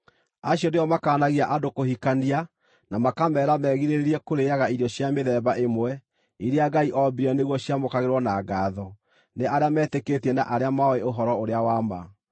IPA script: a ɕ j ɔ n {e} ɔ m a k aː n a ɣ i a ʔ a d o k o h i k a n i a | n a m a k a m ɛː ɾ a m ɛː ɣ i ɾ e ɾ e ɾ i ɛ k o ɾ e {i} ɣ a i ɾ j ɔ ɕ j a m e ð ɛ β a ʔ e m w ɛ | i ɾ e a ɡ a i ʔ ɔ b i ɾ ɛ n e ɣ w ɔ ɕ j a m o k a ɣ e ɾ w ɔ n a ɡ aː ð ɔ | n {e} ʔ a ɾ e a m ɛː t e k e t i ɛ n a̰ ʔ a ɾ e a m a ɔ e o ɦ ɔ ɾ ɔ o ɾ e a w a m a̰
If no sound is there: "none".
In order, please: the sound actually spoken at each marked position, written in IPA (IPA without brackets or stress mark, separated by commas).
e, a, e